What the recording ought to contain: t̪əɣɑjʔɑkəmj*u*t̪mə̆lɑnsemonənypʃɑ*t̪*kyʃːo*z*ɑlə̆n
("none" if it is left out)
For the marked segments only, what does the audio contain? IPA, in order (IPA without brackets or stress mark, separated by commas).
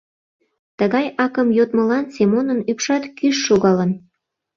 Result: o, t̪, ɣ